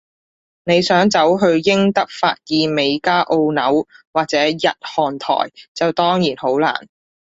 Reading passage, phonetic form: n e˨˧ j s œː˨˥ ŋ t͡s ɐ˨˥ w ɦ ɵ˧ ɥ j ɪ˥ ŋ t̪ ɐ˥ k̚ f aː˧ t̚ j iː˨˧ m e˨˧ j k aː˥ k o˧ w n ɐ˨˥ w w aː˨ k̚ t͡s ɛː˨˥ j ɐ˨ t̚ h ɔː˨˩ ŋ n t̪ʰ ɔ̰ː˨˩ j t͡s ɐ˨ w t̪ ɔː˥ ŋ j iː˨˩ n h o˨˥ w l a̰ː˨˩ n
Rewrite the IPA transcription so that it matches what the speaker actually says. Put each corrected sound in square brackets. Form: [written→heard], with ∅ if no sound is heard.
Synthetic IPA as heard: n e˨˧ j s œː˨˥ ŋ t͡s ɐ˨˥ w ɦ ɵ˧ ɥ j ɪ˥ ŋ t̪ ɐ˥ k̚ f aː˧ t̚ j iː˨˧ m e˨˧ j k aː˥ [k→ʔ] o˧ w n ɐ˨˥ w w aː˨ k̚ t͡s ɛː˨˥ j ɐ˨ t̚ h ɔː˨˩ [ŋ→∅] n t̪ʰ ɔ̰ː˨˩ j t͡s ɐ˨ w t̪ ɔː˥ ŋ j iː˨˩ n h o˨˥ w l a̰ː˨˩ n